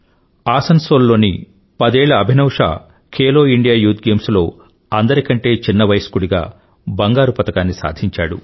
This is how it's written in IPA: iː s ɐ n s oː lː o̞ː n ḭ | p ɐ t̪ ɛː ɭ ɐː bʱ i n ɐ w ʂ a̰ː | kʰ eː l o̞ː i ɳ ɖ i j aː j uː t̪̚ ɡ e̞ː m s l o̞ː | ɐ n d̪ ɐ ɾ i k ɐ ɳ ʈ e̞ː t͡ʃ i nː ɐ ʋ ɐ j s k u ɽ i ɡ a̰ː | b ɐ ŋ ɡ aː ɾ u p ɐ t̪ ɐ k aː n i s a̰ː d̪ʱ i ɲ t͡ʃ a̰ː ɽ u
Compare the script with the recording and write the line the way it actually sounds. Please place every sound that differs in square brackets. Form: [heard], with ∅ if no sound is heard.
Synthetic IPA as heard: [aː] s ɐ n s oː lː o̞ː n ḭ | p ɐ [d̪] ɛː ɭ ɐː bʱ i n ɐ w ʂ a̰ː | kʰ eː l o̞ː i ɳ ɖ i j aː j uː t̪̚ ɡ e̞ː m s l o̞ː | ɐ n d̪ ɐ ɾ i k ɐ ɳ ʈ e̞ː t͡ʃ i nː ɐ ʋ ɐ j s k u ɽ i ɡ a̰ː | b ɐ ŋ ɡ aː ɾ u p ɐ t̪ ɐ k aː [nː] i s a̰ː d̪ʱ i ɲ t͡ʃ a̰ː ɽ u